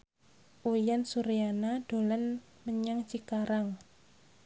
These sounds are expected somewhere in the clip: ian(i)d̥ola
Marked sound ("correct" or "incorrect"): incorrect